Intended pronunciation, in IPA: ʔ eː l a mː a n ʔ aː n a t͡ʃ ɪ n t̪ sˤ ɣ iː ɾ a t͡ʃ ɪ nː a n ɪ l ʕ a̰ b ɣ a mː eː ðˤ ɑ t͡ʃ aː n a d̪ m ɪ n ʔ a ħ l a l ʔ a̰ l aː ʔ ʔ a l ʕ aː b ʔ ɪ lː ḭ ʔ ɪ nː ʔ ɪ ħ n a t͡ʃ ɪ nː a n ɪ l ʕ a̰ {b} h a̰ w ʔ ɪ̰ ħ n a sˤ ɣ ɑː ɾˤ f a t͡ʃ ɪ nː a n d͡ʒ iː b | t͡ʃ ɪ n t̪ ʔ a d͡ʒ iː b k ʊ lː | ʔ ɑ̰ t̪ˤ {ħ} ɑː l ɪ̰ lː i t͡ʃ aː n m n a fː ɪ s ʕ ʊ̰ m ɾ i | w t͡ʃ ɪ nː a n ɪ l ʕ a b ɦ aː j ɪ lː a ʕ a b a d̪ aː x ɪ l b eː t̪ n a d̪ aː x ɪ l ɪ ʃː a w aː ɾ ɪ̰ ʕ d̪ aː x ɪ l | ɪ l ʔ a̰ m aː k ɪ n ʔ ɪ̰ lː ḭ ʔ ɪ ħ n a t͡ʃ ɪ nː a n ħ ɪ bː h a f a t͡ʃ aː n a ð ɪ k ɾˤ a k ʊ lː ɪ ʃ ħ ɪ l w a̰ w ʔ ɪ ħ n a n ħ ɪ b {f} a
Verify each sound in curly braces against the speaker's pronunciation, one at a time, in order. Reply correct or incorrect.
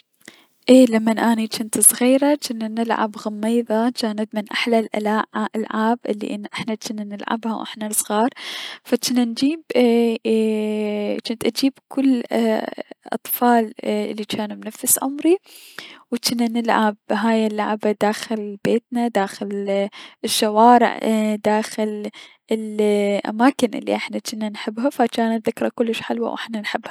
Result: correct, incorrect: f, incorrect: h

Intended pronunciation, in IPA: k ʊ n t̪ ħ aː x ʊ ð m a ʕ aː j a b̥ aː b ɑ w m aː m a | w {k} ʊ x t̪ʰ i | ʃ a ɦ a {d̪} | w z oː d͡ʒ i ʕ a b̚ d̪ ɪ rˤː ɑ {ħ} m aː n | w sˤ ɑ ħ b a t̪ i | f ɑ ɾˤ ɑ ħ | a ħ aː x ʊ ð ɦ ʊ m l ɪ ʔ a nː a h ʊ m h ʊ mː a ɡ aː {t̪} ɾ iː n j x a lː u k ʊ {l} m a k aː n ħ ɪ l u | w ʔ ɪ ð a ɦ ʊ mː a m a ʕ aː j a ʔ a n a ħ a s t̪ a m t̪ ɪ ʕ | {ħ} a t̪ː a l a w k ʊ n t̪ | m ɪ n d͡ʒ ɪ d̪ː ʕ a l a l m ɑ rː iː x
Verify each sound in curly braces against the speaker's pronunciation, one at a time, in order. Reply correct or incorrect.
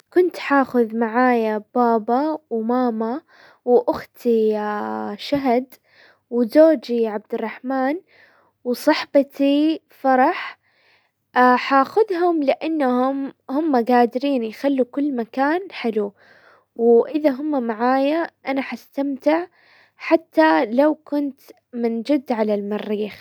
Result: incorrect: ʔ, correct, correct, incorrect: d̪, incorrect: lː, correct

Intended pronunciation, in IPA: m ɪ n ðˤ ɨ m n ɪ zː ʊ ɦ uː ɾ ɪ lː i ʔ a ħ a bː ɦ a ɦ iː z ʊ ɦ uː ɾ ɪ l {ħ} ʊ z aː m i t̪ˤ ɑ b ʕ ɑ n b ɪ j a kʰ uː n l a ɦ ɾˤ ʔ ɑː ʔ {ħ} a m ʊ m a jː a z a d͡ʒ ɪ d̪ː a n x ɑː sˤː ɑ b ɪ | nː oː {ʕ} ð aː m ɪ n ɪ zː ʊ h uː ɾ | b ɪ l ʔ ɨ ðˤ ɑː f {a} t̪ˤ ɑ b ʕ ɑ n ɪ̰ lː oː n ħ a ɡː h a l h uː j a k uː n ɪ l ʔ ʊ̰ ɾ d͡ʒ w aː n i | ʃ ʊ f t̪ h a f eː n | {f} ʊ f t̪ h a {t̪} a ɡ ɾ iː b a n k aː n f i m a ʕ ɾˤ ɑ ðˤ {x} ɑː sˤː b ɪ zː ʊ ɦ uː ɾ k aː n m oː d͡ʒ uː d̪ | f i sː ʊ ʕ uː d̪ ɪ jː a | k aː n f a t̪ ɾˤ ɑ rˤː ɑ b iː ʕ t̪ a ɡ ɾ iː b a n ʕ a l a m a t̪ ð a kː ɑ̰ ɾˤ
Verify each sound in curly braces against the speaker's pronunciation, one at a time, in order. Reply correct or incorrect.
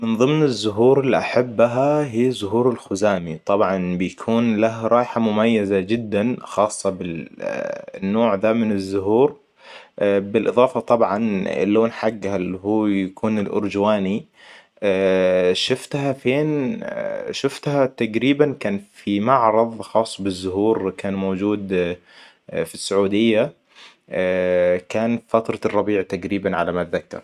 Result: incorrect: x, correct, correct, incorrect: ɑ, incorrect: ʃ, correct, correct

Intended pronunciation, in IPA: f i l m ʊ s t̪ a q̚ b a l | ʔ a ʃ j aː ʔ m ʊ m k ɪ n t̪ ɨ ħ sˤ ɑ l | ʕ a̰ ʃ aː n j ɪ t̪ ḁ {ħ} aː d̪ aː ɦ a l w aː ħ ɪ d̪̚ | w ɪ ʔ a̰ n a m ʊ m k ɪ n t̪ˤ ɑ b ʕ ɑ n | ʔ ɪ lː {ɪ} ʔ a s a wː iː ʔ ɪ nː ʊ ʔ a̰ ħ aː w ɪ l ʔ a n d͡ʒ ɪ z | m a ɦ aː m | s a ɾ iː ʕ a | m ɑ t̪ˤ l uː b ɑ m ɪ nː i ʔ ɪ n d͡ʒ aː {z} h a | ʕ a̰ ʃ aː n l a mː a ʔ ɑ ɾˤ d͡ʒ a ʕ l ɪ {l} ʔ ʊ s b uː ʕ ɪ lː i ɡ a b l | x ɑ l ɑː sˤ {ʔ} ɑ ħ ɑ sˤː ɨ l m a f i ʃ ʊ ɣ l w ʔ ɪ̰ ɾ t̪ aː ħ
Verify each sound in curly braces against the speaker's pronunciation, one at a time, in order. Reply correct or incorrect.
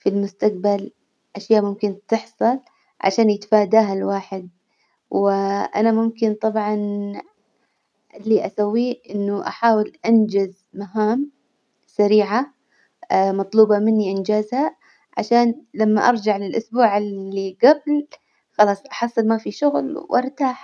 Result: incorrect: f, incorrect: i, correct, correct, correct

